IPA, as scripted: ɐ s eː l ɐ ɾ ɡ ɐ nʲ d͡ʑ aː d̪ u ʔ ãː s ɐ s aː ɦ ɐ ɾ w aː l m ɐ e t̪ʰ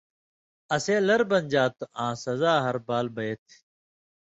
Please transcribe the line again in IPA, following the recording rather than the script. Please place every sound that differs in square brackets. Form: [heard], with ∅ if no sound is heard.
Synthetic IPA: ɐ s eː l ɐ ɾ [b] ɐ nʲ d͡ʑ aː [t̪] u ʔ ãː s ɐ [z] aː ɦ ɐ ɾ [b] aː l [b] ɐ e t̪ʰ

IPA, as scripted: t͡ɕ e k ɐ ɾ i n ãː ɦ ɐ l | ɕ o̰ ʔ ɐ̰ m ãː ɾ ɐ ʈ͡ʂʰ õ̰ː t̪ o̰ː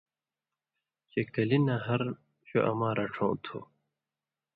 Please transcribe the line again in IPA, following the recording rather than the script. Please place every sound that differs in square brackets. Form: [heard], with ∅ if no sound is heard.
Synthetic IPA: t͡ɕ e k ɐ [l] i n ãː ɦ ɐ [ɾ] | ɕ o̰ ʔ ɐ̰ m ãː ɾ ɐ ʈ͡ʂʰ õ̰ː [t̪ʰ] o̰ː

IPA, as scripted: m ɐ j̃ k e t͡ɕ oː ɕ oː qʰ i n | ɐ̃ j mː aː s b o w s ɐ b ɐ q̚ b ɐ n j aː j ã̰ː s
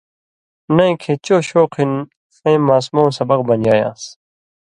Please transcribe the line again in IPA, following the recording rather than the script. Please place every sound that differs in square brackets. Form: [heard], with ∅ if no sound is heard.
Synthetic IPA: [n] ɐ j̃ [kʰ] e t͡ɕ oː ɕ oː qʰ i n | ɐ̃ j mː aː s [m] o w s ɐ b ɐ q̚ b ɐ n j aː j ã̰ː s

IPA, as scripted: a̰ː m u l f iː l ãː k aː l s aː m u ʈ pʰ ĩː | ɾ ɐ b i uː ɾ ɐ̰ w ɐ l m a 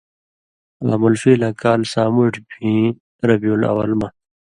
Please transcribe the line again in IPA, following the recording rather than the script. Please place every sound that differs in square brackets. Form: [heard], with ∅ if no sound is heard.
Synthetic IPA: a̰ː m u l f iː l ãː k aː l s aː m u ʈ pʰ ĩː | ɾ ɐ b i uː [l] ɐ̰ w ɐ l m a

